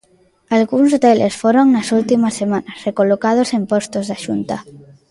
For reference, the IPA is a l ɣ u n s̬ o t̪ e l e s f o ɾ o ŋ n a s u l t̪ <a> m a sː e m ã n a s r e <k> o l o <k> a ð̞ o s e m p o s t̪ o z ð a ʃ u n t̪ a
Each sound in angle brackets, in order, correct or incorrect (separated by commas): incorrect, correct, correct